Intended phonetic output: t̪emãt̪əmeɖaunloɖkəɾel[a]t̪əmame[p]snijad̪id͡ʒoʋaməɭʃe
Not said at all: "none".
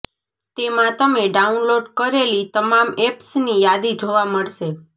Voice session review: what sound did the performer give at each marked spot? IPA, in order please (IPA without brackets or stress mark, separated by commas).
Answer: i, p